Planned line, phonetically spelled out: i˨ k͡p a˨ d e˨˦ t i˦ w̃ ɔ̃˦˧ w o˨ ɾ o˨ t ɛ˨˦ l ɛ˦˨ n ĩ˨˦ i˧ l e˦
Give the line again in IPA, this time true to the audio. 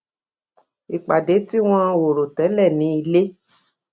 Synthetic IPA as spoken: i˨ k͡p a˨ d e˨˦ t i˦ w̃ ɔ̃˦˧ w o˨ ɾ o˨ t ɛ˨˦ l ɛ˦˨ n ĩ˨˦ i˧ l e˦

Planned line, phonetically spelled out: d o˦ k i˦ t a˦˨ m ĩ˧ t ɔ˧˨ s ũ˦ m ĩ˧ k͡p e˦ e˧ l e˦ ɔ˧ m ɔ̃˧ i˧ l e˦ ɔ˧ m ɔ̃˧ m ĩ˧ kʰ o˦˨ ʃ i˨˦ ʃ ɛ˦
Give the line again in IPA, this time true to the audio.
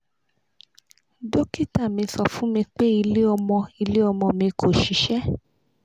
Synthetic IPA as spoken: d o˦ k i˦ t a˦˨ m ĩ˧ s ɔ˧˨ f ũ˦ m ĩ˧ k͡p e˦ i˧ l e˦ ɔ˧ m ɔ̃˧ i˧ l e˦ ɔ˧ m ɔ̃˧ m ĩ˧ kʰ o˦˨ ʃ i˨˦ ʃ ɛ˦

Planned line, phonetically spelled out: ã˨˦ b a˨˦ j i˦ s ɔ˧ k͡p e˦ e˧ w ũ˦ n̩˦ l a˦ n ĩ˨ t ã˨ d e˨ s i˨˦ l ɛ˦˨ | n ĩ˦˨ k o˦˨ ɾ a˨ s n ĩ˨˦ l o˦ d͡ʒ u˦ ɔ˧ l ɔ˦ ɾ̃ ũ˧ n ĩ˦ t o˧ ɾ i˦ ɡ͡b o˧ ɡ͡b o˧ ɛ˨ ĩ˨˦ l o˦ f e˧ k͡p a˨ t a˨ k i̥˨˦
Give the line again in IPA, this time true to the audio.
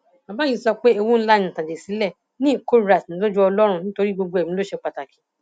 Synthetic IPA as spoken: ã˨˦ b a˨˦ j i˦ s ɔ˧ k͡p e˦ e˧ w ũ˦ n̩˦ l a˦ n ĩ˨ t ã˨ d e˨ s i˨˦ l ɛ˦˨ | n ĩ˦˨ k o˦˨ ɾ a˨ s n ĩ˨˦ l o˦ d͡ʒ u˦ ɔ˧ l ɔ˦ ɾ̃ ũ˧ n ĩ˦ t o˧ ɾ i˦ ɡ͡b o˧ ɡ͡b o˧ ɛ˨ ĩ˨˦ l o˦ ʃ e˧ k͡p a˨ t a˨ k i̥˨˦

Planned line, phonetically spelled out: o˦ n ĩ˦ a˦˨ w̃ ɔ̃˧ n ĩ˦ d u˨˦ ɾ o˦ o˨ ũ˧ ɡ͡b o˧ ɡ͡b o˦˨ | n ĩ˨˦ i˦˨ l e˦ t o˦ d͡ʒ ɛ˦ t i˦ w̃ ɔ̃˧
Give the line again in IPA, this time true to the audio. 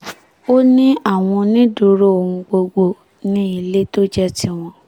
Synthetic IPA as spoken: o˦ n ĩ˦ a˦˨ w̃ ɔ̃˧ n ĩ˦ d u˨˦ ɾ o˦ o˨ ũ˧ ɡ͡b o˧ ɡ͡b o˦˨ | n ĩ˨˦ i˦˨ l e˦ t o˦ d͡ʒ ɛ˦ t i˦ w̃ ɔ̃˧

